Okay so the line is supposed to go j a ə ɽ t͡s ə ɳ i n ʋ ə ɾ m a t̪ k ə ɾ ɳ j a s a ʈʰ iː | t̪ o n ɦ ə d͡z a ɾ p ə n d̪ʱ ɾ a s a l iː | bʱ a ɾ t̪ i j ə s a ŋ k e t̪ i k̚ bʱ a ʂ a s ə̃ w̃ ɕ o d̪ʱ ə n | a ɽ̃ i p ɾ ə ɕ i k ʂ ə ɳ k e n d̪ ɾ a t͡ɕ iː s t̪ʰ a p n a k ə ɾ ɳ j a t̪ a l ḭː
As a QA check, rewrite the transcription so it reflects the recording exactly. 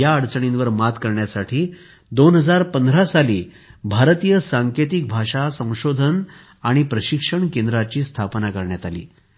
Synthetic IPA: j a ə ɽ t͡s ə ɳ i n ʋ ə ɾ m a t̪ k ə ɾ ɳ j a s a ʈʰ iː | d̪ o n ɦ ə d͡z a ɾ p ə n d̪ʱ ɾ a s a l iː | bʱ a ɾ t̪ i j ə s a ŋ k e t̪ i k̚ bʱ a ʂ a s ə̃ w̃ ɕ o d̪ʱ ə n | a ɽ̃ i p ɾ ə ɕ i k ʂ ə ɳ k e n d̪ ɾ a t͡ɕ iː s t̪ʰ a p n a k ə ɾ ɳ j a t̪ a l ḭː